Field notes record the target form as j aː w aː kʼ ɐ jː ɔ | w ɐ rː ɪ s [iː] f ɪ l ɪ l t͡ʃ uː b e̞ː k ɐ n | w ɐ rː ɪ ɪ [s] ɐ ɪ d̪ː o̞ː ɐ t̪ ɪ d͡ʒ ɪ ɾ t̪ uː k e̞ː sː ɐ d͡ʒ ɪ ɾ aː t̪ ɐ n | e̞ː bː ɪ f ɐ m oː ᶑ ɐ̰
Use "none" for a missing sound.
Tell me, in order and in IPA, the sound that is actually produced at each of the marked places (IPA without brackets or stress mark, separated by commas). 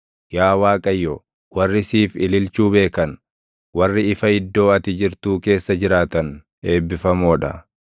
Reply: iː, f